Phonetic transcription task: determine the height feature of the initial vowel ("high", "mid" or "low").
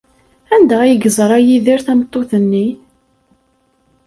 low